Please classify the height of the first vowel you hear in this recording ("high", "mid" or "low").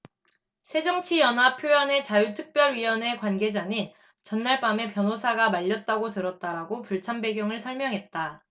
mid